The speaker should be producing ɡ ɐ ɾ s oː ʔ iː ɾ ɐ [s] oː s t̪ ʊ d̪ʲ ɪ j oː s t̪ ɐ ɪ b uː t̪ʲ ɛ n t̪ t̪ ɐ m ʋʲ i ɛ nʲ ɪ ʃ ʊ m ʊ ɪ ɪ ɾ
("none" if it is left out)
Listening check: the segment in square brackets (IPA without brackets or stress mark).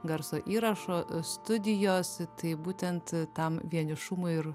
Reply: ʃ